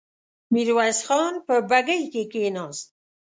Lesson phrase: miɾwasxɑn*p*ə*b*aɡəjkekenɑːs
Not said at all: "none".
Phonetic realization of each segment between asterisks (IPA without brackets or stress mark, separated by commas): p, b